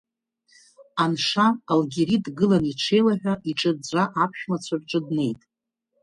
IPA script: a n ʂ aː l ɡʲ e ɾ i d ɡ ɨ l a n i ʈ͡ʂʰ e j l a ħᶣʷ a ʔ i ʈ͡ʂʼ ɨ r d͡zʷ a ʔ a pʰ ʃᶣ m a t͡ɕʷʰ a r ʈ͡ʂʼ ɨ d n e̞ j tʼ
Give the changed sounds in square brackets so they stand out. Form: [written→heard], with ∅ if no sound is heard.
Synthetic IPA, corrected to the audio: a n ʂ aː l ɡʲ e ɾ i d ɡ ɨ l a n i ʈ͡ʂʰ e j l a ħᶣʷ a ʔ i ʈ͡ʂʼ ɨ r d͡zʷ a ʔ a pʰ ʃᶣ m a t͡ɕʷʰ a r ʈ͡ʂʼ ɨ d n e̞ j tʼ